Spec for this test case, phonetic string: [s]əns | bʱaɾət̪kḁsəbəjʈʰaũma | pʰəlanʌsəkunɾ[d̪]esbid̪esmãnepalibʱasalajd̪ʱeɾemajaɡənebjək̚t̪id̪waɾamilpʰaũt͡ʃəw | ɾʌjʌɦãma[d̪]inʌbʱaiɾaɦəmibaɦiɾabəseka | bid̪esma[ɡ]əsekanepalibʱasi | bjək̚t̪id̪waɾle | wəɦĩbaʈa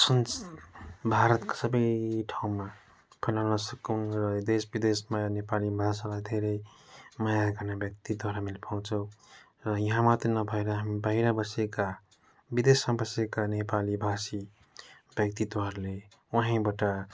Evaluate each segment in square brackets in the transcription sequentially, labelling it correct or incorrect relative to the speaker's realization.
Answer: correct, correct, incorrect: t̪, incorrect: b

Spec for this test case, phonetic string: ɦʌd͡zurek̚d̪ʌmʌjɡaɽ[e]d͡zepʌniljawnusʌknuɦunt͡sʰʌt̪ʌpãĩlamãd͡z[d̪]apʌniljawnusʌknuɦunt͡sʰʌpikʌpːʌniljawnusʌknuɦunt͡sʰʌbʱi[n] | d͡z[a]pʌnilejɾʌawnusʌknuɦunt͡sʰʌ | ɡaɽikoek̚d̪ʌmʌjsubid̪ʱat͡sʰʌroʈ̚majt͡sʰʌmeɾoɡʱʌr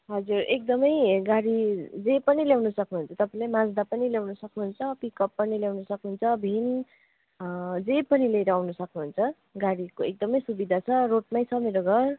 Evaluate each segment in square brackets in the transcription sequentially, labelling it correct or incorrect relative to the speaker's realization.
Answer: incorrect: i, correct, correct, incorrect: e

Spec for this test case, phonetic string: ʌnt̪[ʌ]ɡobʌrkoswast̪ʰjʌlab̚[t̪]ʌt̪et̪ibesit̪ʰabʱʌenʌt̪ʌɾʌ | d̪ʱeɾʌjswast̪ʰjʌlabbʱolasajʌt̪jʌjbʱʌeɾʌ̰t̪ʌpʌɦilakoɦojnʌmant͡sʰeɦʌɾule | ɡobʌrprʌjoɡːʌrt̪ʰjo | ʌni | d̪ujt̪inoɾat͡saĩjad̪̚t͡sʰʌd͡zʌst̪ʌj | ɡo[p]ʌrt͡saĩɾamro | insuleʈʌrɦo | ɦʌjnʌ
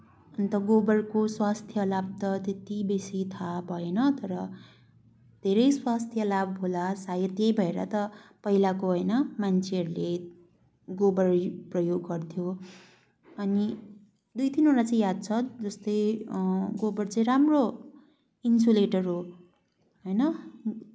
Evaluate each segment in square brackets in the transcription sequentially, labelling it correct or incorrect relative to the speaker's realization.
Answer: correct, correct, incorrect: b

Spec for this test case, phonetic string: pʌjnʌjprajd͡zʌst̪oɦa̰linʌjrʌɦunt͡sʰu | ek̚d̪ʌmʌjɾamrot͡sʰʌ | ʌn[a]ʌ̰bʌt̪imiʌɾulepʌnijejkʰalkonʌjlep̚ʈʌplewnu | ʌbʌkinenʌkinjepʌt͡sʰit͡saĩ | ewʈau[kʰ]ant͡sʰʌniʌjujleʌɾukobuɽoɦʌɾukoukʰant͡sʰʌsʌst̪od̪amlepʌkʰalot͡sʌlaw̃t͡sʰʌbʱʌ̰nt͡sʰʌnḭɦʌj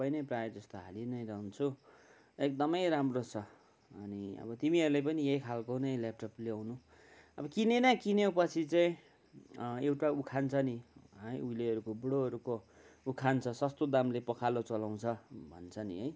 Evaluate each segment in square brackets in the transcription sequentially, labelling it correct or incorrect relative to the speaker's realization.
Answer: incorrect: i, correct

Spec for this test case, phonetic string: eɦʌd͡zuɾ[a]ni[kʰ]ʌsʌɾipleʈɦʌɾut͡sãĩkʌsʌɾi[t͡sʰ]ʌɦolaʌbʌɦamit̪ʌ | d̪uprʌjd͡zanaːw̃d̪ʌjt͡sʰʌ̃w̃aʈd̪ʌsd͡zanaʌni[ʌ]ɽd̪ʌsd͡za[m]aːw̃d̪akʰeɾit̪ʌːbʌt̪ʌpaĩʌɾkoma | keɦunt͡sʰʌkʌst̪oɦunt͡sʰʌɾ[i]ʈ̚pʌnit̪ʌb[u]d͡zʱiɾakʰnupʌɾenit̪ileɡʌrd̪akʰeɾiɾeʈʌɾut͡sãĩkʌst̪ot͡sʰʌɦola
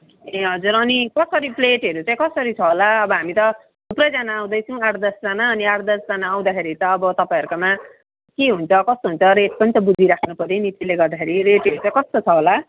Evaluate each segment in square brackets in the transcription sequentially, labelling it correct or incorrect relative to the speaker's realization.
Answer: incorrect: ʌ, incorrect: k, correct, incorrect: a, incorrect: n, incorrect: e, correct

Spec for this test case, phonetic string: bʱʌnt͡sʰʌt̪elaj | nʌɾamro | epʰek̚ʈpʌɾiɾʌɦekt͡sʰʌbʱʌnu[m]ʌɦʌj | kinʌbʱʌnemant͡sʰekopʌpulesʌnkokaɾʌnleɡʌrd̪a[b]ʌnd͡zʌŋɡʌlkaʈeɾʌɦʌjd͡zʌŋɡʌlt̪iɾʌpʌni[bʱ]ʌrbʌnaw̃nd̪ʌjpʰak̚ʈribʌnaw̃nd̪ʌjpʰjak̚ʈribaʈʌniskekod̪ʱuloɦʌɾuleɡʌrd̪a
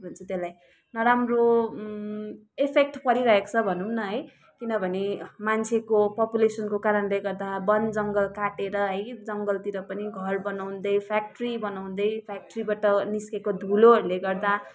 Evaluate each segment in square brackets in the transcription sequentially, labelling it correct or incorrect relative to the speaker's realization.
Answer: incorrect: n, correct, incorrect: ɡʱ

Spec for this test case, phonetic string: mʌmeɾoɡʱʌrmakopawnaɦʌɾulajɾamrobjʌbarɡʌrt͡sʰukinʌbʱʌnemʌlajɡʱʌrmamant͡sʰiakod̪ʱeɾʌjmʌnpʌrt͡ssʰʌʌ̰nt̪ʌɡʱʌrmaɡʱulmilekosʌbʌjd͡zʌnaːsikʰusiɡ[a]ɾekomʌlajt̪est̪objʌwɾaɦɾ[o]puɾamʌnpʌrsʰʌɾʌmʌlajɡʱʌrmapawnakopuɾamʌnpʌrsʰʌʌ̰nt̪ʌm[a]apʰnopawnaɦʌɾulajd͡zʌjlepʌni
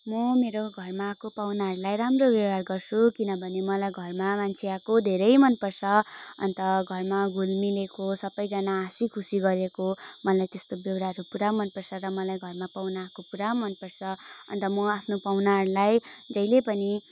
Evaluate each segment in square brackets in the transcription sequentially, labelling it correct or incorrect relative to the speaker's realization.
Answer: incorrect: ʌ, incorrect: u, incorrect: ʌ

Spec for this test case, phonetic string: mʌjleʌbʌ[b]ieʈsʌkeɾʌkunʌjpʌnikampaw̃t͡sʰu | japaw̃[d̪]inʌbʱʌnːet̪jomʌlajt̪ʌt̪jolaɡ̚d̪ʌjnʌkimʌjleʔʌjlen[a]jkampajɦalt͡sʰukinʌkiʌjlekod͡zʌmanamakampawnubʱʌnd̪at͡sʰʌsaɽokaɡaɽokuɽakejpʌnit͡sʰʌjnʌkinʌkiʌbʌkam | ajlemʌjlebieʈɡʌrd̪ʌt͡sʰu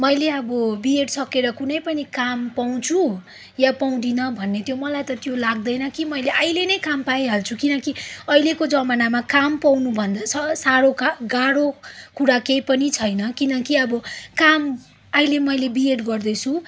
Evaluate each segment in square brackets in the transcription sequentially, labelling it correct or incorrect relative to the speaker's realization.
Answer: correct, correct, incorrect: ʌ

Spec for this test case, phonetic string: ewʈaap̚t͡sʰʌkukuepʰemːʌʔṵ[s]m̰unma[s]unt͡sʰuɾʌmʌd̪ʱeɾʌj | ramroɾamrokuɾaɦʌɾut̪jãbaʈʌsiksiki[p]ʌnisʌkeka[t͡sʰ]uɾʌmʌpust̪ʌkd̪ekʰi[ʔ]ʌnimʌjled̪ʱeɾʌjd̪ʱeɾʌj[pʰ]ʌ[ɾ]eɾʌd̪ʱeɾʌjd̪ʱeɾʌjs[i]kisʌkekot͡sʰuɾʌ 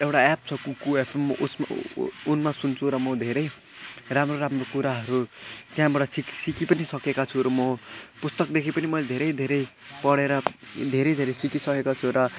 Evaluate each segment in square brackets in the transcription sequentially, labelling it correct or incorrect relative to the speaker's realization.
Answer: correct, correct, correct, correct, incorrect: p, incorrect: p, incorrect: ɽ, correct

